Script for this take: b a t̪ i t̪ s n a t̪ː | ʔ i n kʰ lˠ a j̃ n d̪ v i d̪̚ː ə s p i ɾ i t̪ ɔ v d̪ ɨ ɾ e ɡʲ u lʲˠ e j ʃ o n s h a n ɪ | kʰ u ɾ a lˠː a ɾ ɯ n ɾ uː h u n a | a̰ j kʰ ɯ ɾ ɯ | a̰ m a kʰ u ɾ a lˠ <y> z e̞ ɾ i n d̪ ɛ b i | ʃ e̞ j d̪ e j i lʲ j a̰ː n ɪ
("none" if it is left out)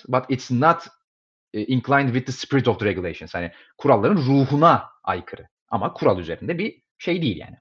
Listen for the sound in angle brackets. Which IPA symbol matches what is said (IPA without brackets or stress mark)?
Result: y